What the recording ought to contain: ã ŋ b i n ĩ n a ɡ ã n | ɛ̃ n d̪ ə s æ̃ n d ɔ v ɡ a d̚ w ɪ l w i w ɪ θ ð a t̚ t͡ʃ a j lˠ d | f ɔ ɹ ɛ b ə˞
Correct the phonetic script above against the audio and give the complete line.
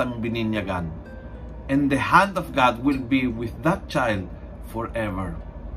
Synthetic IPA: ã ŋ b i n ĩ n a ɡ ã n | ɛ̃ n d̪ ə h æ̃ n d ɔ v ɡ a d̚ w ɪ l b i w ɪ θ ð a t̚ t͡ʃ a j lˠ d | f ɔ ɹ ɛ v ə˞